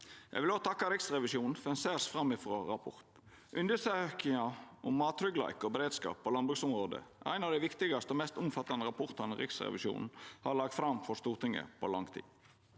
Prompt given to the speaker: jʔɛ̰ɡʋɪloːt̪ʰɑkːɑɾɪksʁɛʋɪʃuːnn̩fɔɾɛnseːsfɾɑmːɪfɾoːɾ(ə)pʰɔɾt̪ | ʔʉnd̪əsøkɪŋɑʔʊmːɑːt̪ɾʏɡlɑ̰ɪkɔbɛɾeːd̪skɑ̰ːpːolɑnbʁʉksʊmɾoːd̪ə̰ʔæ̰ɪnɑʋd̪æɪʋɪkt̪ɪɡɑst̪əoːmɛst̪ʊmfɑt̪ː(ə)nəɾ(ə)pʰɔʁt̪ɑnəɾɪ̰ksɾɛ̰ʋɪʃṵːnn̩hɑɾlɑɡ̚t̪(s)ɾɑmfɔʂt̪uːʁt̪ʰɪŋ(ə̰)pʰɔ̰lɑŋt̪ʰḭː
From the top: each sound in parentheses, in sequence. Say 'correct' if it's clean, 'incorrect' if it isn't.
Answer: incorrect: ɑ, incorrect: ɑ, incorrect: ɑ, incorrect: f, correct

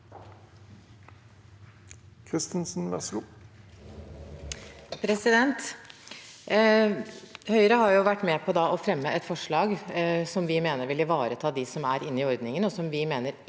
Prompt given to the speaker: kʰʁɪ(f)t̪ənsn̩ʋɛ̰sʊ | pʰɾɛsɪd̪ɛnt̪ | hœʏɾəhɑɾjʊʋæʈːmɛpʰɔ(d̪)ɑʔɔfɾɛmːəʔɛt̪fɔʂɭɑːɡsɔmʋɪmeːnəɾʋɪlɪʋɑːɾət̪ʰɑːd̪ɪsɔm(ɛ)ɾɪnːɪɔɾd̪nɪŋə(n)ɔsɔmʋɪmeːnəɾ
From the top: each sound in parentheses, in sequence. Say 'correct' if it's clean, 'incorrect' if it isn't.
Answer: incorrect: s, correct, incorrect: æ, correct

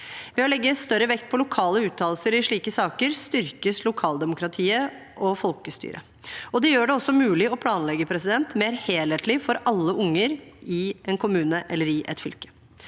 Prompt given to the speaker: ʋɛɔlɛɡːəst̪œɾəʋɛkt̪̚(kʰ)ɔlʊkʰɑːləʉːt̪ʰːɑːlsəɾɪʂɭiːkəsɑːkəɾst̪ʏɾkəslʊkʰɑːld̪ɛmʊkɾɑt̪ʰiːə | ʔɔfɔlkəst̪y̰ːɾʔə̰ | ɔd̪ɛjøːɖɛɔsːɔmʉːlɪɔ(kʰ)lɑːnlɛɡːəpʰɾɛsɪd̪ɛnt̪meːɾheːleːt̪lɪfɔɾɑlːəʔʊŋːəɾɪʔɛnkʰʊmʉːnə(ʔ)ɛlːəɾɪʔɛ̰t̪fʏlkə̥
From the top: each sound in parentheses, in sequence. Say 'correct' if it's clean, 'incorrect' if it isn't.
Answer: incorrect: pʰ, incorrect: pʰ, correct

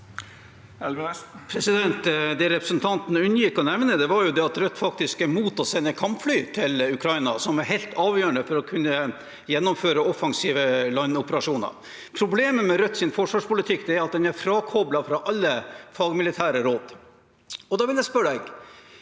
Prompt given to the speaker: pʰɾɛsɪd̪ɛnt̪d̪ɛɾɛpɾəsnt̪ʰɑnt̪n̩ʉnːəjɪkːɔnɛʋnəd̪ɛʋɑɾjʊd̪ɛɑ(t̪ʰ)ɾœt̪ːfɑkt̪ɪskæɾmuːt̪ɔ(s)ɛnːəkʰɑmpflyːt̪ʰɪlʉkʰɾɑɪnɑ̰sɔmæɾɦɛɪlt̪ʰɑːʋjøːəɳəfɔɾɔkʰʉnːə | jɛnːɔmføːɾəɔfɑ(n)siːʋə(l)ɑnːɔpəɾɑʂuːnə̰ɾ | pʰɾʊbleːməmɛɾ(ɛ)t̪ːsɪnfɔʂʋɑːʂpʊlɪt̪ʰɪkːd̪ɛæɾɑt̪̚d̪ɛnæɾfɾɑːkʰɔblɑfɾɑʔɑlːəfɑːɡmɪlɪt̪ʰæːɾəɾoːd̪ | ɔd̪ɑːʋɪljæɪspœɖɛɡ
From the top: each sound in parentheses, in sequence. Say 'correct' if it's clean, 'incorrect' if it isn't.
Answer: incorrect: t̪, correct, incorrect: ŋ, correct, incorrect: œ

